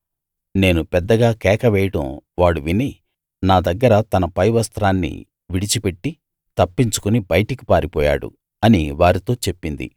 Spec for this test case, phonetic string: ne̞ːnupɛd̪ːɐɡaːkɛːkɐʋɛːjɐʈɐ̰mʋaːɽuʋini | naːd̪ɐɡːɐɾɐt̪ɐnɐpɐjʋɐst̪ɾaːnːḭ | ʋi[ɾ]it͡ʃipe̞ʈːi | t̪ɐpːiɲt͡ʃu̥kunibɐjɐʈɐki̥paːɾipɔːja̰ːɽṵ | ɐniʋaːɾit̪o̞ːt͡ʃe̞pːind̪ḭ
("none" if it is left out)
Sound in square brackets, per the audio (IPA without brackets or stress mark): ɽ